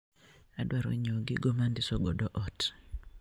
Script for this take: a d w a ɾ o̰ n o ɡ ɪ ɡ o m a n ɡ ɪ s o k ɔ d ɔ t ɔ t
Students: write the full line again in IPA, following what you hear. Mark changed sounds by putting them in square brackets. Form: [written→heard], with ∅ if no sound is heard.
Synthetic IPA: a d w a ɾ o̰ [n→ɲ] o ɡ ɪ ɡ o m a n [ɡ→d] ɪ s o [k→ɡ] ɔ d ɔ [t→ʔ] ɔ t